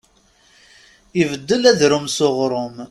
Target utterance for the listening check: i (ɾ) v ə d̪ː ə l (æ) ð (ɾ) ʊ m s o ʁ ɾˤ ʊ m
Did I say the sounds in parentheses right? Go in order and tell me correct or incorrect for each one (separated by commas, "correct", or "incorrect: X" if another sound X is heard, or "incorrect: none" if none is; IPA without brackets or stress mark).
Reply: incorrect: none, correct, correct